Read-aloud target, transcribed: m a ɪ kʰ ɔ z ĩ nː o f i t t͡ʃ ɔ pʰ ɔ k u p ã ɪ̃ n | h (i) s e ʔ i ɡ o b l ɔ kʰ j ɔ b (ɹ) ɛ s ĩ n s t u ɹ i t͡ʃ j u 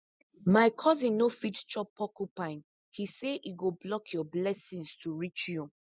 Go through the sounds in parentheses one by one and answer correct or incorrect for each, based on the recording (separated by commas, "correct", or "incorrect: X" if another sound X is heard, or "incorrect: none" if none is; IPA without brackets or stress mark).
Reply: correct, incorrect: l